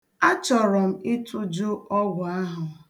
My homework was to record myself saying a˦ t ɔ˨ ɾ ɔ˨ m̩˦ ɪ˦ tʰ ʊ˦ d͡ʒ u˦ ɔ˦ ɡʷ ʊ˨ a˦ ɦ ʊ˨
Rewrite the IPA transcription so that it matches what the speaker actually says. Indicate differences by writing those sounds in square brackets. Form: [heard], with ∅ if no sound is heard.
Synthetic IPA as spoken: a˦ [t͡ʃ] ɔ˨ ɾ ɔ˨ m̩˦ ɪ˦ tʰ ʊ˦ d͡ʒ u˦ ɔ˦ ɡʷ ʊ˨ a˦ ɦ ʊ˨